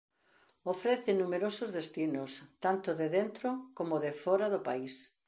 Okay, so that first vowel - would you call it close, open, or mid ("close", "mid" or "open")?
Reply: mid